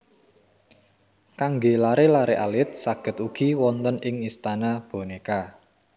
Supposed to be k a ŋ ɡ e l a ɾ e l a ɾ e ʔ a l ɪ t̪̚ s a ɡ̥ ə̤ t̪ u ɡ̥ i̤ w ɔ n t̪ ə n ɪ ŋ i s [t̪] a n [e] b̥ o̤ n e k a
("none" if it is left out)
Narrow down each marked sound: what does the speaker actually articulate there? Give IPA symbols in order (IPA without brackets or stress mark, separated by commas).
t̪, a